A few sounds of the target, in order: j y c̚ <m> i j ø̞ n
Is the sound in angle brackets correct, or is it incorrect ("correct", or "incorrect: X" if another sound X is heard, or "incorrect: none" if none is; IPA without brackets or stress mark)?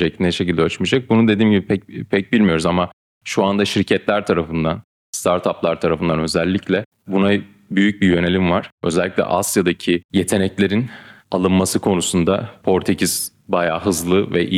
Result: incorrect: b